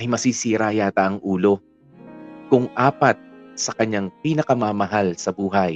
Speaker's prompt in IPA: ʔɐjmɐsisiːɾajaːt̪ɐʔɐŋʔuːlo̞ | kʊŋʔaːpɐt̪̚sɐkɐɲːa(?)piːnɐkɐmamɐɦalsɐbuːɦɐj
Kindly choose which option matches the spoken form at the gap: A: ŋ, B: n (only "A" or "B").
A